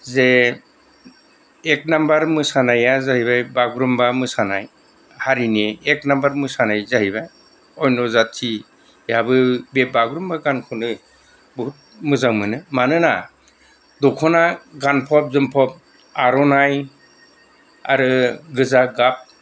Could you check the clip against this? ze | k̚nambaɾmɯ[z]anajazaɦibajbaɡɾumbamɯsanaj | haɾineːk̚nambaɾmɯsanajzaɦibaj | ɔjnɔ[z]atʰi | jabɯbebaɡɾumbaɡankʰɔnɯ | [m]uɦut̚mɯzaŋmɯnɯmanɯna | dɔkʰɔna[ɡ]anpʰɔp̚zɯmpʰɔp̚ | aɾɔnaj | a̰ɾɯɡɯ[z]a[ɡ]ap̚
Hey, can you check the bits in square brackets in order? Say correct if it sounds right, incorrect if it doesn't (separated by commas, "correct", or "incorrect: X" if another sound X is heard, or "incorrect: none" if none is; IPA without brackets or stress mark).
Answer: incorrect: s, correct, incorrect: b, correct, correct, correct